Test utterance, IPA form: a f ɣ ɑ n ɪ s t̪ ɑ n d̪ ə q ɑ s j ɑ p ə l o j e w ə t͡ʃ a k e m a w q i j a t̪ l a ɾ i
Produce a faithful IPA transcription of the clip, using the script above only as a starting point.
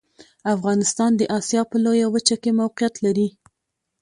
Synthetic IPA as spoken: a f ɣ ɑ n ɪ s t̪ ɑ n d̪ ə ʔ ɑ s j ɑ p ə l o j a w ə t͡ʃ a k e m a w q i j a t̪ l a ɾ i

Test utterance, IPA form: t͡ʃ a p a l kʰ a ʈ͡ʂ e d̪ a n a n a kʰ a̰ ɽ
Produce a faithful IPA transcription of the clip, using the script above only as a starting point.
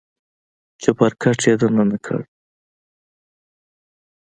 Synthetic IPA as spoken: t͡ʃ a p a ɾ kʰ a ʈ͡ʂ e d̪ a n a n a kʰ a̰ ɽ

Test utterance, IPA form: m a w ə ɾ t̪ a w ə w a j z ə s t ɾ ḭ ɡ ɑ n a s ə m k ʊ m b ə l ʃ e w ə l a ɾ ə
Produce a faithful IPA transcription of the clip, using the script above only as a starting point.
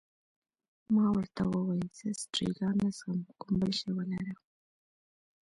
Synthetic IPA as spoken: m ɑ w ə ɾ t̪ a w ə w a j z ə s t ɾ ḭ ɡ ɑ n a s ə m k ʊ m b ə l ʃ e w ə l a ɾ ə

